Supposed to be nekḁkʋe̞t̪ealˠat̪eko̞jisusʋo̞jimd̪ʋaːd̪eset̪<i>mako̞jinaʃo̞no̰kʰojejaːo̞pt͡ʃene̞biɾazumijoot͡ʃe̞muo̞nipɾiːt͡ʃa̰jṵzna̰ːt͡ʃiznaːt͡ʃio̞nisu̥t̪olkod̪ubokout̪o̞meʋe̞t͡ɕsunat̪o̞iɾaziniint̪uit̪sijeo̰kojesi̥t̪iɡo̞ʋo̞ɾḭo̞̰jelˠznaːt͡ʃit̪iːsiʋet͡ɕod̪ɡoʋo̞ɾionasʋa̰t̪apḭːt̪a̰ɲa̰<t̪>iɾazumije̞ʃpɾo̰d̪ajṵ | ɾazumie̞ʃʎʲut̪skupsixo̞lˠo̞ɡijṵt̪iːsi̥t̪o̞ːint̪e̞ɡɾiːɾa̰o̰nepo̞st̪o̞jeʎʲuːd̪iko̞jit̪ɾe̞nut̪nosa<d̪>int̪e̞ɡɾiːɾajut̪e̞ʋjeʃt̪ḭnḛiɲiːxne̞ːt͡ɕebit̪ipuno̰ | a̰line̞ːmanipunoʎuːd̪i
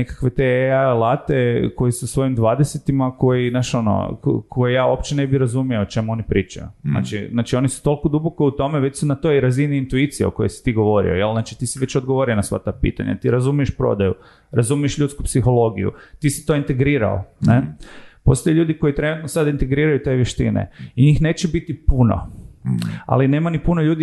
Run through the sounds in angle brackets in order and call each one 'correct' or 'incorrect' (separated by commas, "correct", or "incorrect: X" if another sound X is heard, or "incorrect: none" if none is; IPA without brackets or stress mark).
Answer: correct, correct, correct